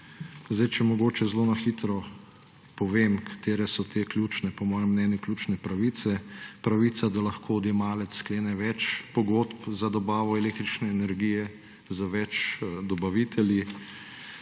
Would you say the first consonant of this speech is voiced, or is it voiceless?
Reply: voiced